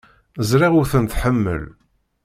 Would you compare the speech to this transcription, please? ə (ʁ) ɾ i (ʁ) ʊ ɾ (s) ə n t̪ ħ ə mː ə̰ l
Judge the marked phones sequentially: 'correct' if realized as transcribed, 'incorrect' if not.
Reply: incorrect: z, correct, incorrect: θ

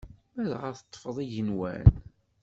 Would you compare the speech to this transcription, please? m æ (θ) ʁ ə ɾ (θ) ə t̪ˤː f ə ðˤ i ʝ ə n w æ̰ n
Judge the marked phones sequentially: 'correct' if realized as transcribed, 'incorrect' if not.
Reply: incorrect: ð, correct

